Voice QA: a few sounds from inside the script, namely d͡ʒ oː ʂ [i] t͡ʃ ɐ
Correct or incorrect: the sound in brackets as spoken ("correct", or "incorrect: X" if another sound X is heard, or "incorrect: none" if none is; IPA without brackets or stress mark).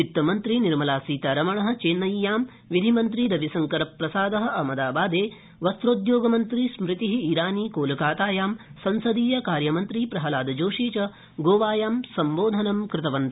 incorrect: iː